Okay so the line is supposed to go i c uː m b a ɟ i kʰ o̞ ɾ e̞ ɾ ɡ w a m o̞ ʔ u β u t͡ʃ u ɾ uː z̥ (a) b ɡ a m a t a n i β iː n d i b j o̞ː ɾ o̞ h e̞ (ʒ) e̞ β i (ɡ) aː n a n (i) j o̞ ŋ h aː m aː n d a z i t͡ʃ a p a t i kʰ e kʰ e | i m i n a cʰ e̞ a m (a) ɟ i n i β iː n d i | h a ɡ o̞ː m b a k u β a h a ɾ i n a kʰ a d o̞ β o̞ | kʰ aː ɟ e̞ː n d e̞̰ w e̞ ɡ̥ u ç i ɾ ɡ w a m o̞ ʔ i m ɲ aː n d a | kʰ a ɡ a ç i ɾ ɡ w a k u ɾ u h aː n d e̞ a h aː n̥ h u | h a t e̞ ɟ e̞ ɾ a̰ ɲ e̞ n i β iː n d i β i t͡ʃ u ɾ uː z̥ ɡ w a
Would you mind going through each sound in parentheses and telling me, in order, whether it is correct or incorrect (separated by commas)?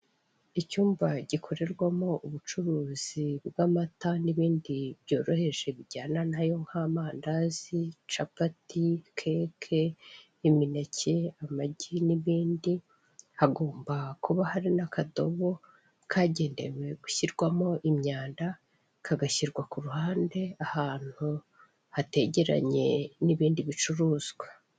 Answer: incorrect, correct, incorrect, incorrect, correct